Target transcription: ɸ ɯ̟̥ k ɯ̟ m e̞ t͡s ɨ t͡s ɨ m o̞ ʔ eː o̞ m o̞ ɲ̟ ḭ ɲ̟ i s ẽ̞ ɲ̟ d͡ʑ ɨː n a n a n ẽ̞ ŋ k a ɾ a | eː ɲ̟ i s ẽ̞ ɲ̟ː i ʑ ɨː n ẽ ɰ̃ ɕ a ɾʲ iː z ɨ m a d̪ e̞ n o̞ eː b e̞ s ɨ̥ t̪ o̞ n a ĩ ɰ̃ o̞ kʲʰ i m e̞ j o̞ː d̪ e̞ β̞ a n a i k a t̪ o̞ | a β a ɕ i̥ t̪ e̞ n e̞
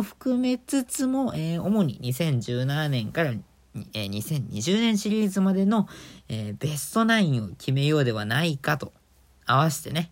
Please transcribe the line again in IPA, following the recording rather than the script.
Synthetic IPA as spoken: ɸ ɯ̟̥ k ɯ̟ m e̞ t͡s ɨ t͡s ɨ m o̞ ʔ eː o̞ m o̞ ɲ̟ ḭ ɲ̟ i s ẽ̞ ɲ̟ d͡ʑ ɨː n a n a n ẽ̞ ŋ k a ɾ a | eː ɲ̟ i s ẽ̞ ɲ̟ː i ʑ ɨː n ẽ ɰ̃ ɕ i ɾʲ iː z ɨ m a d̪ e̞ n o̞ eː b e̞ s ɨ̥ t̪ o̞ n a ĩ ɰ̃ o̞ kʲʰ i m e̞ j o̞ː d̪ e̞ β̞ a n a i k a t̪ o̞ | a β a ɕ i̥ t̪ e̞ n e̞